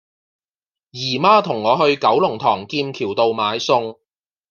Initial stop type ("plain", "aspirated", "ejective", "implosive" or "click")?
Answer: aspirated